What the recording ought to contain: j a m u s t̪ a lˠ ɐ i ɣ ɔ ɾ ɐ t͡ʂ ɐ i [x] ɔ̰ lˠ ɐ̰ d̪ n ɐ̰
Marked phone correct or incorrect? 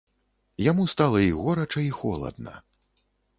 correct